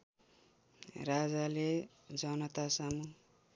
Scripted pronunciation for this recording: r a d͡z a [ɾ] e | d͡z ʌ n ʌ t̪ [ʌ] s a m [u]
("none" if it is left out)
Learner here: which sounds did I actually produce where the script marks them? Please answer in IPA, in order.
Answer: l, a, u

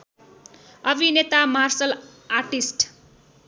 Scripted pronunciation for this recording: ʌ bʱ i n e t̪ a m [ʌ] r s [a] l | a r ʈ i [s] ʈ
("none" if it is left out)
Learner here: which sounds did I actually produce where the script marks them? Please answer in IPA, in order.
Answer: a, ʌ, s

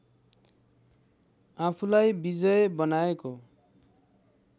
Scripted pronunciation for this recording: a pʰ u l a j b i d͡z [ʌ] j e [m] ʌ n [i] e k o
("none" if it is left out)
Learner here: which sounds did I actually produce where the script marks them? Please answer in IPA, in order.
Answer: ʌ, b, a

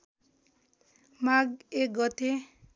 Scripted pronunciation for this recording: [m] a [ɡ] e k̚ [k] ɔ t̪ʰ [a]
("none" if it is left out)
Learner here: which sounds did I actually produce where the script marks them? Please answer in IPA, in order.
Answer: m, ɡ, ɡ, e

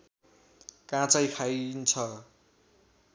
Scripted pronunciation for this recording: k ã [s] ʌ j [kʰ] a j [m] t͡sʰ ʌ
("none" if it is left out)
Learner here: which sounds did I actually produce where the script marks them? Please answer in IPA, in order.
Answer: t͡s, kʰ, n

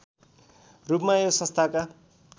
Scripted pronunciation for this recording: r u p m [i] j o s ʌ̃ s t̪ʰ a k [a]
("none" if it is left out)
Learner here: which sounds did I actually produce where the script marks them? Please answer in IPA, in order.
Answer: a, a

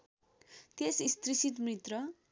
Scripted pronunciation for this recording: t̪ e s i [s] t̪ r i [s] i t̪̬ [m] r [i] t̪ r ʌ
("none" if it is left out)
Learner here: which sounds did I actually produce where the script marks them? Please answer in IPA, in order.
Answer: s, s, m, i

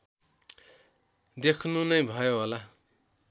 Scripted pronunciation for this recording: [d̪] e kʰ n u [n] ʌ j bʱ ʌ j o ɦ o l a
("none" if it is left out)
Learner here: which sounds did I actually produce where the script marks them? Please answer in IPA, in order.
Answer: d̪, n

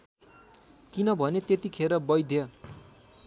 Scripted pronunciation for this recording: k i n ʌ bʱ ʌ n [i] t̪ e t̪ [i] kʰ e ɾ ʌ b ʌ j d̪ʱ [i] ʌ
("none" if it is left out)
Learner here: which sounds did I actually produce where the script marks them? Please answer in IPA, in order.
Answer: e, i, j

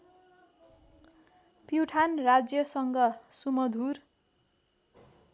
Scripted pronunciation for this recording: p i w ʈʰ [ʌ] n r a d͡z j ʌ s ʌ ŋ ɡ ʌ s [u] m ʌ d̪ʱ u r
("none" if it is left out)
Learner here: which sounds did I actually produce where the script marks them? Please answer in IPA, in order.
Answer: a, u

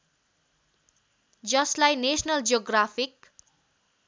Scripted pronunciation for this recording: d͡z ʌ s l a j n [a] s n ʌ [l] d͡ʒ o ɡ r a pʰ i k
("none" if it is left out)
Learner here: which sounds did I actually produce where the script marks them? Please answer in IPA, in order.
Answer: e, l

